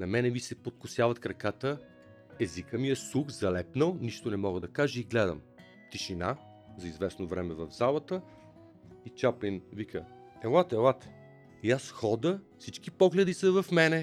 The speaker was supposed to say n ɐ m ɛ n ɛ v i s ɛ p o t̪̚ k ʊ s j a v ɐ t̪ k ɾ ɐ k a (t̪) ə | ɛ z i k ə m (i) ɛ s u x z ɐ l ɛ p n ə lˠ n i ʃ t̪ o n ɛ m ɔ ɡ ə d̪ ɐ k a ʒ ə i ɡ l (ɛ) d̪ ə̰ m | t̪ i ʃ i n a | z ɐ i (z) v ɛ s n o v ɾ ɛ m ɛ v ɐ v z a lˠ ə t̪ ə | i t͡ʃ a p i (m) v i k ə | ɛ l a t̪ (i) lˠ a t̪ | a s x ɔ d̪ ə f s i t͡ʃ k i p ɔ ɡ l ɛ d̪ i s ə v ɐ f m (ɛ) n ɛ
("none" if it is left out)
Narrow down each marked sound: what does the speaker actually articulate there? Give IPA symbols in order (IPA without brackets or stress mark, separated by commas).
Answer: t̪, i, ɛ, z, n, ɛ, ɛ